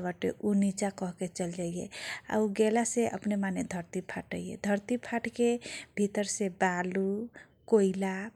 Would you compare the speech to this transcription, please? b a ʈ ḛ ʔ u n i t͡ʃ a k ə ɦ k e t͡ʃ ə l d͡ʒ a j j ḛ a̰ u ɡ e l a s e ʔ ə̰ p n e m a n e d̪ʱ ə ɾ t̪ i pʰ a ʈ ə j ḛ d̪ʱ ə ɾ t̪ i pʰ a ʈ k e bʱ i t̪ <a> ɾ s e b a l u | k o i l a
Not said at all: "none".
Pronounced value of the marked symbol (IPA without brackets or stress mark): ə